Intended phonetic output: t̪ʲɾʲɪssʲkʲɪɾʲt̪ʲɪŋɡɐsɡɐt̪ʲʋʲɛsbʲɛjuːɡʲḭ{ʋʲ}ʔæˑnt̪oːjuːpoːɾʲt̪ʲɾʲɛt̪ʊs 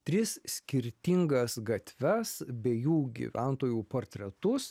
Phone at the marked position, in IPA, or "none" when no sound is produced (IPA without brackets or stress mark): ʋʲ